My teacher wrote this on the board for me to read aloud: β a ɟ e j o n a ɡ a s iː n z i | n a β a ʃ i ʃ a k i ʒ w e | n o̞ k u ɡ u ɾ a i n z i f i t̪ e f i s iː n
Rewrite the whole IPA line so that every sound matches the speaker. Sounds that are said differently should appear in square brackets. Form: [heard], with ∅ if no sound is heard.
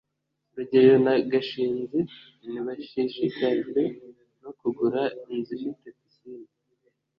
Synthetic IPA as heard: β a ɟ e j o n a ɡ a [ʃ] iː n z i | n [i] β a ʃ i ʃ [i] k [a] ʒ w e | n o̞ k u ɡ u ɾ a i n z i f i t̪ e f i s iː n